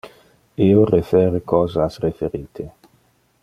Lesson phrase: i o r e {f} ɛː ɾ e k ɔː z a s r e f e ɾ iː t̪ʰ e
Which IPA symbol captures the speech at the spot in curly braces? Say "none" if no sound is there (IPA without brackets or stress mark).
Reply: f